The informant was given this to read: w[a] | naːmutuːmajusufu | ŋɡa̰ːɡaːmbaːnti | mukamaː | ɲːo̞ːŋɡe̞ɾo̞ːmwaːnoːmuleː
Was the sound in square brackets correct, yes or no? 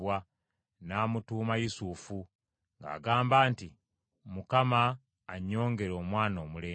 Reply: yes